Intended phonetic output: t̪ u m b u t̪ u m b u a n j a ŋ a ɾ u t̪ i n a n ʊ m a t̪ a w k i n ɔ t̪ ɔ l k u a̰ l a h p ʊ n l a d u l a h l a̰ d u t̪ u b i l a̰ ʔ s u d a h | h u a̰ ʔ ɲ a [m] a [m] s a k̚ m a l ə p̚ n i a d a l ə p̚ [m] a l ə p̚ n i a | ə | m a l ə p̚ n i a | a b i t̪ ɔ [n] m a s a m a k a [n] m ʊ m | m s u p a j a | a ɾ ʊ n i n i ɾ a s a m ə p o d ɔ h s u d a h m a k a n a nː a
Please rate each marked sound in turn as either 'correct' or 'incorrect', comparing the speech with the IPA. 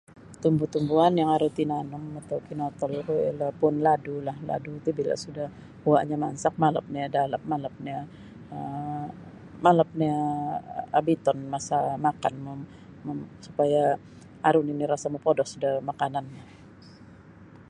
correct, incorrect, correct, correct, correct

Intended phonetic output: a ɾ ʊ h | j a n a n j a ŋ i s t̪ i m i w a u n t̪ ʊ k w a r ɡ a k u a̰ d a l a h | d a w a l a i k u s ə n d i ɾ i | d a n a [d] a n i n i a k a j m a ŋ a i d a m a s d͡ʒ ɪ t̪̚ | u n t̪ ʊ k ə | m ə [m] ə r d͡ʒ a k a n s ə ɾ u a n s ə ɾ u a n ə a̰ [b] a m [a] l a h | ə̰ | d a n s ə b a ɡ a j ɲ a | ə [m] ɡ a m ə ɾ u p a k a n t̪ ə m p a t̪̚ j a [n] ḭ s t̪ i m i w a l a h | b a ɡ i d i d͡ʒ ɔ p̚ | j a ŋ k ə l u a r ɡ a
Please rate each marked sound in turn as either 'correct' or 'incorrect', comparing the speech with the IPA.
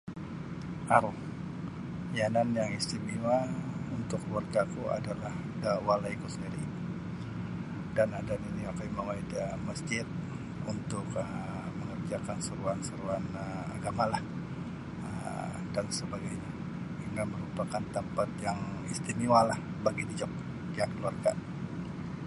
correct, incorrect, incorrect, correct, incorrect, incorrect

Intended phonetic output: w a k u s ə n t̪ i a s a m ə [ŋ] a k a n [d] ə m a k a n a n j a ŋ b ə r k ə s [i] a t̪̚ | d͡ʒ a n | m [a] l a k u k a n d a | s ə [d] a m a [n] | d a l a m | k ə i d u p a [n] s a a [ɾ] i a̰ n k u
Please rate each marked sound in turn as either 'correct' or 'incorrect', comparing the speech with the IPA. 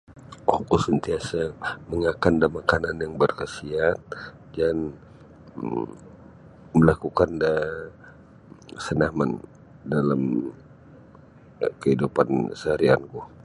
correct, correct, correct, incorrect, incorrect, correct, correct, correct

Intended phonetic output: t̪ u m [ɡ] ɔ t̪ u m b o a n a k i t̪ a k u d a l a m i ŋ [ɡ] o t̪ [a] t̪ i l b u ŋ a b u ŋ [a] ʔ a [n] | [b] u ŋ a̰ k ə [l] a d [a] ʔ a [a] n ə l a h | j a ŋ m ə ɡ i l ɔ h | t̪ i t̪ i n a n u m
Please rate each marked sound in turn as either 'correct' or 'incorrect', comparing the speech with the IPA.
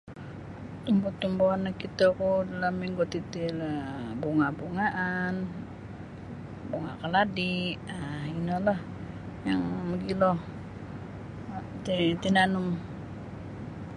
incorrect, correct, incorrect, correct, correct, correct, correct, incorrect, incorrect

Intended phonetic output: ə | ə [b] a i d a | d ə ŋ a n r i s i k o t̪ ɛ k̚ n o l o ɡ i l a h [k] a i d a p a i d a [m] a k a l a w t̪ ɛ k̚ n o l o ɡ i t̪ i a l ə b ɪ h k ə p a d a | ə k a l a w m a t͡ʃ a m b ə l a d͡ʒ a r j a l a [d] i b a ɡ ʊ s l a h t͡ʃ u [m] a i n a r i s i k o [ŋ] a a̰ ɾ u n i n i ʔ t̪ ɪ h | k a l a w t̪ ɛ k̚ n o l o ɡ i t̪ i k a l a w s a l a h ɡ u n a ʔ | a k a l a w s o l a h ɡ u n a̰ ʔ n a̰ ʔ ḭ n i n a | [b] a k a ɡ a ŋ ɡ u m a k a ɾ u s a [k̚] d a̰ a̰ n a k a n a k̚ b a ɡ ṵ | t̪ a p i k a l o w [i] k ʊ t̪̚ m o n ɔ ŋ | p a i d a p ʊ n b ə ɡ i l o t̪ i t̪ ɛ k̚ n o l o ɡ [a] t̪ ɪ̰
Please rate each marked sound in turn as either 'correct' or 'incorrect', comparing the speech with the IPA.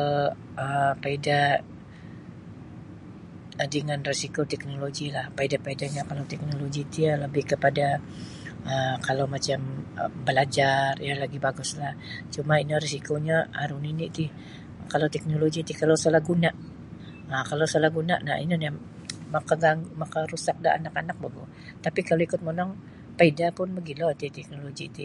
incorrect, incorrect, incorrect, incorrect, correct, incorrect, incorrect, correct, correct, incorrect

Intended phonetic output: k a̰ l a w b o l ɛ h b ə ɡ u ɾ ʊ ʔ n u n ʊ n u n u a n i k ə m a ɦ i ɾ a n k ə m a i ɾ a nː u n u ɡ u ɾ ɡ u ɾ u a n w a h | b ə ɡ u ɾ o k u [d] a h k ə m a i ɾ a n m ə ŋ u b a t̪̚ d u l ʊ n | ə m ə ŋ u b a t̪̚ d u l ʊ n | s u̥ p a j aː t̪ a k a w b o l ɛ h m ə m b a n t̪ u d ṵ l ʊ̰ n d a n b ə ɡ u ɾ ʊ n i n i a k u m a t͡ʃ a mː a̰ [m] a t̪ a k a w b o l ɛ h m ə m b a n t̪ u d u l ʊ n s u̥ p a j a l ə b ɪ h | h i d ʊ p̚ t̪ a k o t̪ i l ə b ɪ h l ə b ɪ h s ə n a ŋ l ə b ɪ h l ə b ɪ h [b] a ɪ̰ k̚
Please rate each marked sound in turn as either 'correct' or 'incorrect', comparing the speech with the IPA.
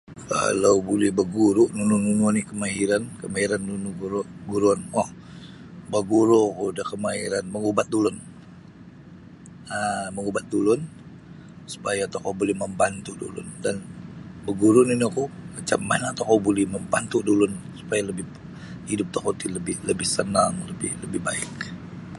correct, incorrect, correct

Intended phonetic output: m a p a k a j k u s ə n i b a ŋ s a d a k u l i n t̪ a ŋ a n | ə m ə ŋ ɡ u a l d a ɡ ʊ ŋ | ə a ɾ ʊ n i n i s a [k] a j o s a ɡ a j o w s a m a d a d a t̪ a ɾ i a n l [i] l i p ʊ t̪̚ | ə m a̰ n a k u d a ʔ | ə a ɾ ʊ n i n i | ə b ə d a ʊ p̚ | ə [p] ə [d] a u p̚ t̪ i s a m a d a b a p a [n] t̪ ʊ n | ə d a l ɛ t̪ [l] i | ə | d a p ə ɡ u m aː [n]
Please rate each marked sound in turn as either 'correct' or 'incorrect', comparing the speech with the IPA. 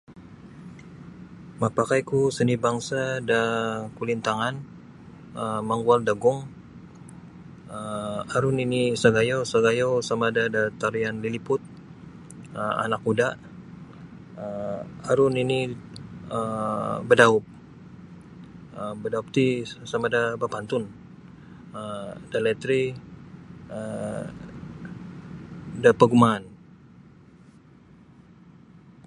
incorrect, correct, incorrect, correct, correct, incorrect, correct

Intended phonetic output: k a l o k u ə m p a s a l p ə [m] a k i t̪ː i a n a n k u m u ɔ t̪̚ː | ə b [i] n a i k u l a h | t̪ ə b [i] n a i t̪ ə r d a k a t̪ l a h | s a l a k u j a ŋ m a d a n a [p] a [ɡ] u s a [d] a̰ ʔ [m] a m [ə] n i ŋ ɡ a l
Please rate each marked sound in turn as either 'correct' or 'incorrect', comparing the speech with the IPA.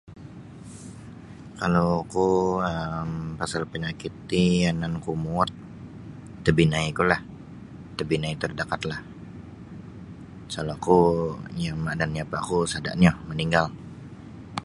incorrect, correct, correct, correct, incorrect, correct, incorrect, correct

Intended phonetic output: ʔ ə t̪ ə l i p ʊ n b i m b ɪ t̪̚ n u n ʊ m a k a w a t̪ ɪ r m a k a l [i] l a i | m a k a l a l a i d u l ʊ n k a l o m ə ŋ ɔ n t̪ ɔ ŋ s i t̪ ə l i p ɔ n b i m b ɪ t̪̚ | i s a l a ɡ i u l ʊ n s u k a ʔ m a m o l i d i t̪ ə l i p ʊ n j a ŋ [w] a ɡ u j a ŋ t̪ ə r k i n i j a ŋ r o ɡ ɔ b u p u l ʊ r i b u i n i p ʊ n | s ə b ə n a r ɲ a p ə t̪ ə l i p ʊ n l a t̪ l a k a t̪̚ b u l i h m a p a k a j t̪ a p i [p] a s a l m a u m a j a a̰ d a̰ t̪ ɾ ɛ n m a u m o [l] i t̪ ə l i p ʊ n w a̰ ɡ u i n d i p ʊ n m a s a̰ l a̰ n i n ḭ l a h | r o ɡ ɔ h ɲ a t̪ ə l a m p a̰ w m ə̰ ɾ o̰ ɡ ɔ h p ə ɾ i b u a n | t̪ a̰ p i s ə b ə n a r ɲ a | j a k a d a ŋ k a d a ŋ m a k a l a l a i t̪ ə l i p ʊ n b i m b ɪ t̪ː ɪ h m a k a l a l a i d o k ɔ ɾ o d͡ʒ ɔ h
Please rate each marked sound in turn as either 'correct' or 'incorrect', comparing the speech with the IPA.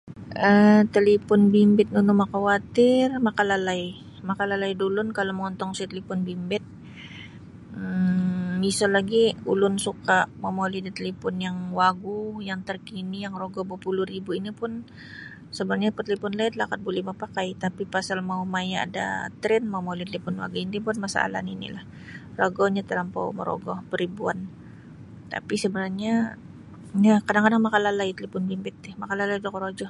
incorrect, correct, correct, correct

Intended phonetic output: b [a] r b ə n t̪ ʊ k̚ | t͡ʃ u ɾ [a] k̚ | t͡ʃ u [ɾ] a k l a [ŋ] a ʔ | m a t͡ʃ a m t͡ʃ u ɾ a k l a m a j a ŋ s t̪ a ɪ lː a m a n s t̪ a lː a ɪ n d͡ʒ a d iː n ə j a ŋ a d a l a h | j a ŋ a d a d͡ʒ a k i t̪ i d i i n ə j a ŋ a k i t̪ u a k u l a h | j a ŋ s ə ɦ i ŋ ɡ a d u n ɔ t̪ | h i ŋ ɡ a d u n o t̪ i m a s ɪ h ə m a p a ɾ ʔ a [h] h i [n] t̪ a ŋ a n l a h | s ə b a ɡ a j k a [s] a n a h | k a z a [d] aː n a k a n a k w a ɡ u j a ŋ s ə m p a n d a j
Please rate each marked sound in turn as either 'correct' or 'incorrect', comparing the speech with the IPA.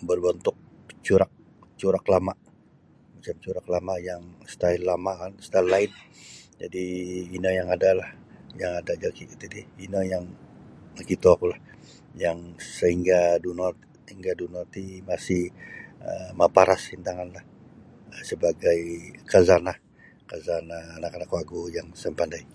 incorrect, correct, correct, incorrect, incorrect, correct, incorrect, incorrect

